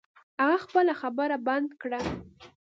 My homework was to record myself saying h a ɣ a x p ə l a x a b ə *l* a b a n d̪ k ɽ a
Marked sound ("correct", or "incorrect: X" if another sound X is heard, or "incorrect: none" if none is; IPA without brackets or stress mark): incorrect: ɾ